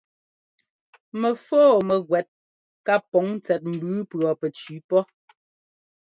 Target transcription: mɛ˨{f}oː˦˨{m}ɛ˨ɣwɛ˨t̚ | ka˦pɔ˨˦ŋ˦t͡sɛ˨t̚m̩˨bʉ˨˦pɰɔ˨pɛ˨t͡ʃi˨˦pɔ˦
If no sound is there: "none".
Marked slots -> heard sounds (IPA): f, m

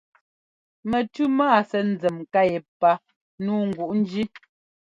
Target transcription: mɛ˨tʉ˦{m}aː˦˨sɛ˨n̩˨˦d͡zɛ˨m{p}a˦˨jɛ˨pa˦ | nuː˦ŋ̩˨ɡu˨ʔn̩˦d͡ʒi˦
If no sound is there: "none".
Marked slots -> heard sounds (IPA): m, k

